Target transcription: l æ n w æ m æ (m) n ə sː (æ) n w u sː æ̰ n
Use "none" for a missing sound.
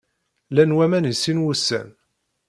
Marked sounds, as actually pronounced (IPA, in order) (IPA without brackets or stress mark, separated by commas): none, i